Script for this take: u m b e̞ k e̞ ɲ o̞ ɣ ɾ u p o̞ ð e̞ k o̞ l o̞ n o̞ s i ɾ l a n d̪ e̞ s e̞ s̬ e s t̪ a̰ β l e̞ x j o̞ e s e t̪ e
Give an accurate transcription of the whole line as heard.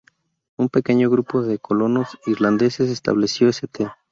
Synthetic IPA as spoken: u m p e̞ k e̞ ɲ o̞ ɣ ɾ u p o̞ ð e̞ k o̞ l o̞ n o̞ s i ɾ l a n d̪ e̞ s e̞ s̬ e s t̪ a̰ β l e̞ s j o̞ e s e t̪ e